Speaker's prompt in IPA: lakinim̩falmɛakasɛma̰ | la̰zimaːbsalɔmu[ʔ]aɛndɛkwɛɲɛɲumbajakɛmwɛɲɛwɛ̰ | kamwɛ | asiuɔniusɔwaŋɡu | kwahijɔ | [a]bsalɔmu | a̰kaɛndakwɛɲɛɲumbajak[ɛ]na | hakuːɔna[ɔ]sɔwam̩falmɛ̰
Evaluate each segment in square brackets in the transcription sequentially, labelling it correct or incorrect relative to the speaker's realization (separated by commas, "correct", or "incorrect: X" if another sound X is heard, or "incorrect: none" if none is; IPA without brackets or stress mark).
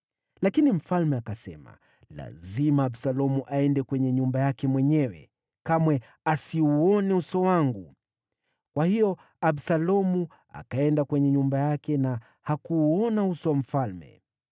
correct, correct, correct, incorrect: u